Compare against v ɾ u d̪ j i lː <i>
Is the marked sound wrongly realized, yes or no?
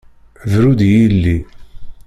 no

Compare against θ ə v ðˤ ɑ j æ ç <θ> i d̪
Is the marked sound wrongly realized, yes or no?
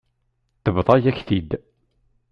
no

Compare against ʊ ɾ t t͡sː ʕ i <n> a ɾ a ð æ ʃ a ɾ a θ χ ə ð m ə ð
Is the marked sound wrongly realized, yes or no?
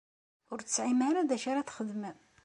yes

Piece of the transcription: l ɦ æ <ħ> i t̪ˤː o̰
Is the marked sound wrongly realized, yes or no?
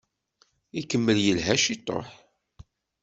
yes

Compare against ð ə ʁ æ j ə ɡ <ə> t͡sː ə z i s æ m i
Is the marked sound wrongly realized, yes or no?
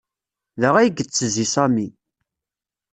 no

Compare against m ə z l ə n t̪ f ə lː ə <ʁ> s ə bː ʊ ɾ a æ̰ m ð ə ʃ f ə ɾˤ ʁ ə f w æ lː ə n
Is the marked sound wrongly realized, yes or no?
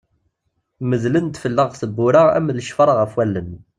no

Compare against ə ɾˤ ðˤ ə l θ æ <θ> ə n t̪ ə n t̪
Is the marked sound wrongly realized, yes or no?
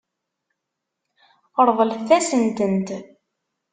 yes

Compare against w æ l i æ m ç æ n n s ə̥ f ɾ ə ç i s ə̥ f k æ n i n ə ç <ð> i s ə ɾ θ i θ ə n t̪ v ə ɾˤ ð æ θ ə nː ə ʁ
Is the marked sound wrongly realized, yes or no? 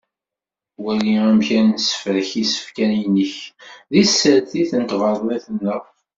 no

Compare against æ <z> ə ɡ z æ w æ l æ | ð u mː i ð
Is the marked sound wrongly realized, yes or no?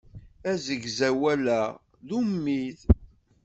no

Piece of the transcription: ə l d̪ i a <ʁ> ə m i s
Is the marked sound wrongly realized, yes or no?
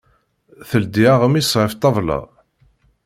no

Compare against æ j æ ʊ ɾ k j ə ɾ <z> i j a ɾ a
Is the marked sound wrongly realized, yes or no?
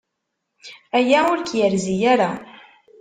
no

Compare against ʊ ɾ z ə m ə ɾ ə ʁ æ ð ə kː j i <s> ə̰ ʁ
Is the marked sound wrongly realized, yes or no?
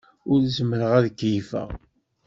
yes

